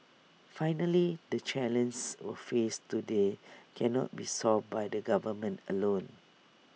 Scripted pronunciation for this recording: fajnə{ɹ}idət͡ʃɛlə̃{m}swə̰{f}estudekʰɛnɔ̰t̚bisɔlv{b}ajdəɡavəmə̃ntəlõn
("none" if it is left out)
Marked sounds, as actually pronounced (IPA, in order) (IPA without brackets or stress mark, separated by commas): l, n, f, b